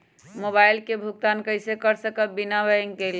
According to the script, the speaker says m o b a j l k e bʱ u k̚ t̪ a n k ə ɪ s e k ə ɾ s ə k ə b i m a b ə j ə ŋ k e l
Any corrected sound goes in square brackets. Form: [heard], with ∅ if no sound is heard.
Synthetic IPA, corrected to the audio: m o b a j l k e bʱ u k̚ t̪ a n k ə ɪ s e k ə ɾ s ə k ə b i [n] a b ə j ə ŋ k e l